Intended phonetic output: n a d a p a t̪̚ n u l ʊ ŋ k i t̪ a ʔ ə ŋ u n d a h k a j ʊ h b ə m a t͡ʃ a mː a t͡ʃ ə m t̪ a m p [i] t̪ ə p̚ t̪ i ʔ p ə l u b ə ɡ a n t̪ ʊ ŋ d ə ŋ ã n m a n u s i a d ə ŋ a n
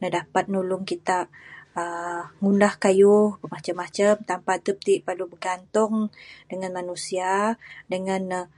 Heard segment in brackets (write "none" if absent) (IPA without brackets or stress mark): a